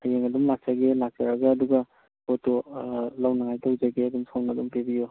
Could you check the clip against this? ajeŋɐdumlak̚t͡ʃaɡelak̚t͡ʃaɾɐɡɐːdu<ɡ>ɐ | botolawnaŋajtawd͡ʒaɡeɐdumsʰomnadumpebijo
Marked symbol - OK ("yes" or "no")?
yes